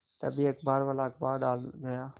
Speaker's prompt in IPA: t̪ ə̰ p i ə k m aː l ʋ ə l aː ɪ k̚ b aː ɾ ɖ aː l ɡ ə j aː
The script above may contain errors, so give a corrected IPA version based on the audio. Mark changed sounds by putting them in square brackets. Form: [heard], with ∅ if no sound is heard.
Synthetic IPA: t̪ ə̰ [b] i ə k [b] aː [ɾ] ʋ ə l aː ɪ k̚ b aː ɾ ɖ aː l ɡ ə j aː